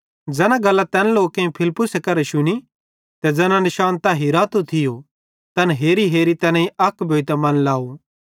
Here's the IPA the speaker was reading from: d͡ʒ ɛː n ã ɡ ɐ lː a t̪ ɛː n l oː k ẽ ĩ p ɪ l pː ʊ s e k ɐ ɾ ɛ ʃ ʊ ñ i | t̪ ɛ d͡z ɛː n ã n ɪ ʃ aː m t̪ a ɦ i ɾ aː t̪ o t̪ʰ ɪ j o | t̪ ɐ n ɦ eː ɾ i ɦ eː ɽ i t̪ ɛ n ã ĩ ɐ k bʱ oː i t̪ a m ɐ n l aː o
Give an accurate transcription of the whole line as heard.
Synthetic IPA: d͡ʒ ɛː n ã ɡ ɐ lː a t̪ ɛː n l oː k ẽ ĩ pʰ ɪ l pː ʊ s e k ɐ ɾ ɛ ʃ ʊ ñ i | t̪ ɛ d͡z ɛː n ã n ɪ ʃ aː n t̪ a ɦ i ɾ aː t̪ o t̪ʰ ɪ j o | t̪ ɐ n ɦ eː ɾ i ɦ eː ɾ i t̪ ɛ n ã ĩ ɐ k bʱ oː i t̪ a m ɐ n l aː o